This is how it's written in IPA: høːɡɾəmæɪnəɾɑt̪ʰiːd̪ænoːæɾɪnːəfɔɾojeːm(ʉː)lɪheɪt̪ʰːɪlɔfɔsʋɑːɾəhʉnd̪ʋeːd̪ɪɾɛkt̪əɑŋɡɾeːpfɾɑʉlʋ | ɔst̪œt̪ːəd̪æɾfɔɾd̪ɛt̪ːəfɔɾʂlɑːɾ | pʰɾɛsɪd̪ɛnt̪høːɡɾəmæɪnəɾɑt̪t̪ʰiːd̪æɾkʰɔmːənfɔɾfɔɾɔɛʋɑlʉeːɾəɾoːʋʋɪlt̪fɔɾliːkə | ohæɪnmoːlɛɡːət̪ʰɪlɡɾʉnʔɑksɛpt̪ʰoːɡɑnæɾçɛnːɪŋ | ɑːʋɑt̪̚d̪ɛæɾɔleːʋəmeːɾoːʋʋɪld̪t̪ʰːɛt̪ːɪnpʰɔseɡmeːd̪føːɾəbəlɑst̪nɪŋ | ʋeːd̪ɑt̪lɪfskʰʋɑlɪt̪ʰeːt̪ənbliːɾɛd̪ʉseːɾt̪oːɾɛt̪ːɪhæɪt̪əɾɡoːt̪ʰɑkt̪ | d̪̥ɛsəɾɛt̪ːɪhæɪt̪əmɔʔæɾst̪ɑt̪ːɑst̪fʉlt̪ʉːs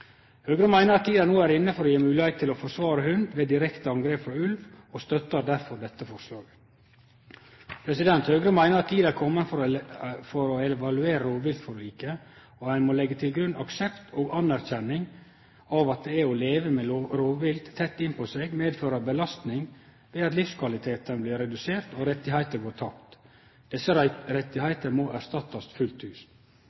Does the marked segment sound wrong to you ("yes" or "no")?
no